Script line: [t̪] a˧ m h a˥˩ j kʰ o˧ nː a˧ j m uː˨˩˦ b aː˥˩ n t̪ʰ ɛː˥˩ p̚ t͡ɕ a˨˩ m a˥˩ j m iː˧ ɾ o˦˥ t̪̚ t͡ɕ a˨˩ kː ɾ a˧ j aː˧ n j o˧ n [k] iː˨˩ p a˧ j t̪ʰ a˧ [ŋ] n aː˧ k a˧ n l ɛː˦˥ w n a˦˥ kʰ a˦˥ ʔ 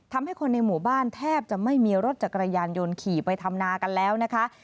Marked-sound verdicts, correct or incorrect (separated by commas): incorrect, incorrect, incorrect